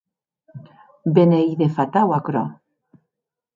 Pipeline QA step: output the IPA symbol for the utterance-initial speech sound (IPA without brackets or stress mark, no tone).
b